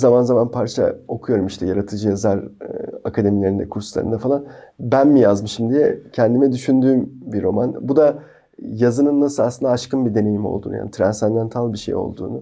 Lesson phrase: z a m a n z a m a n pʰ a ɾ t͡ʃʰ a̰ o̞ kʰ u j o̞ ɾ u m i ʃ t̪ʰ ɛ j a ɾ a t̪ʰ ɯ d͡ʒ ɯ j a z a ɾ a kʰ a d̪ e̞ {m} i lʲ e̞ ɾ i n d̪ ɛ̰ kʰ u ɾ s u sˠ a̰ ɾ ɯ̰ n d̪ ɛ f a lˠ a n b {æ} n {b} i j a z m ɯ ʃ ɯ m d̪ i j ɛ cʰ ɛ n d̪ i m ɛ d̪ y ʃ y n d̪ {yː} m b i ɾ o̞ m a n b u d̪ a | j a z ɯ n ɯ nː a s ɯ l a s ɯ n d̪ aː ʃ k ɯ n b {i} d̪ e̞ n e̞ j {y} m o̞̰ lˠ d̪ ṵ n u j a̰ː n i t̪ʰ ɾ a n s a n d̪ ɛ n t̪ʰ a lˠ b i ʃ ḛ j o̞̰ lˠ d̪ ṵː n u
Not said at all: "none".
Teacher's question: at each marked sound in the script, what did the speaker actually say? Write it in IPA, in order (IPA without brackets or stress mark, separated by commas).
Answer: m, æ, m, yː, i, i